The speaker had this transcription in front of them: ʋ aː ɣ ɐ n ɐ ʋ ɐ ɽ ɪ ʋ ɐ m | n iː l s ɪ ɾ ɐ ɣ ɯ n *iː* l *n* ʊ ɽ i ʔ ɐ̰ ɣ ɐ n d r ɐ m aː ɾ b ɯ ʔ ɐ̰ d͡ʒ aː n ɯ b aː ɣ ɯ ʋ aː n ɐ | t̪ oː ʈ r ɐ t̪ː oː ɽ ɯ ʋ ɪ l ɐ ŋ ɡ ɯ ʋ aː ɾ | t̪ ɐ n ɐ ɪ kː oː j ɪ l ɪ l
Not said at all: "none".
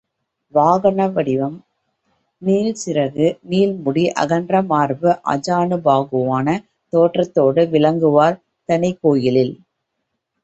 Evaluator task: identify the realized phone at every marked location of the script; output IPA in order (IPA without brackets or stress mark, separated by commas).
iː, m